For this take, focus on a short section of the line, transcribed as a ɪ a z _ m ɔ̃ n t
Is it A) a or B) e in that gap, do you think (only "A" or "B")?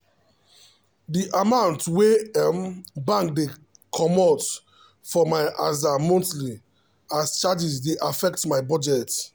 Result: A